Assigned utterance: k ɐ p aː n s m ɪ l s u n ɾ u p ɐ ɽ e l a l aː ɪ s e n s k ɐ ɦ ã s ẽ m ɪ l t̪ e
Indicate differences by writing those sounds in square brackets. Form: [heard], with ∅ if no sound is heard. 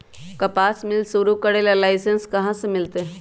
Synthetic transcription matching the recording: k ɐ p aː [∅] s m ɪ l s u [∅] ɾ u [k] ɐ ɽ e l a l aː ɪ s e n s k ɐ ɦ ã s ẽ m ɪ l t̪ e